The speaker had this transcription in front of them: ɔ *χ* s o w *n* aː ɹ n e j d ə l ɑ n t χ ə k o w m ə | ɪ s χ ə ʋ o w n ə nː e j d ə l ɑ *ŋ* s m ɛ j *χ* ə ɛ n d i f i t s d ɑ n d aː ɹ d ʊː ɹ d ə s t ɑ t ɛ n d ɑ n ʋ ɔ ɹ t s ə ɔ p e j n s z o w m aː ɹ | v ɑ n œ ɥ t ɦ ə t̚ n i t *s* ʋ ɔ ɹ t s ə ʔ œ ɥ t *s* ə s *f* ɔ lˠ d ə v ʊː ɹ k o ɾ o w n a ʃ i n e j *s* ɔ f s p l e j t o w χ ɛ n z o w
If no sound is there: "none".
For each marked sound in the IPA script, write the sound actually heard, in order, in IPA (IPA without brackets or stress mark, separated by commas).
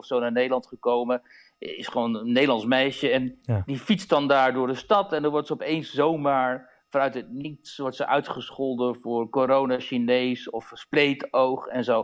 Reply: f, n, n, ʃ, s, χ, χ, s